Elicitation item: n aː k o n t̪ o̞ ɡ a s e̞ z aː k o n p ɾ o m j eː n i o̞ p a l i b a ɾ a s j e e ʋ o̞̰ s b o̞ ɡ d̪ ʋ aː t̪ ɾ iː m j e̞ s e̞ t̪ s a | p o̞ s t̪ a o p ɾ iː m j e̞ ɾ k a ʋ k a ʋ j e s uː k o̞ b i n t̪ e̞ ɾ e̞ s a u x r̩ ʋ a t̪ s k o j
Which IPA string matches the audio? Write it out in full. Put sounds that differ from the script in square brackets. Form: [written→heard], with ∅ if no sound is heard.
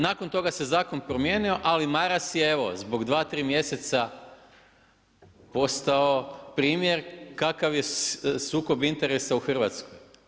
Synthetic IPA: n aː k o n t̪ o̞ ɡ a s e̞ z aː k o n p ɾ o m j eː n i o̞ [p→ʔ] a l i [b→m] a ɾ a s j e e ʋ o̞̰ [s→z] b o̞ ɡ d̪ ʋ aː t̪ ɾ iː m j e̞ s e̞ t̪ s a | p o̞ s t̪ a o p ɾ iː m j e̞ ɾ k a [ʋ→∅] k a ʋ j e s uː k o̞ b i n t̪ e̞ ɾ e̞ s a u x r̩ ʋ a t̪ s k o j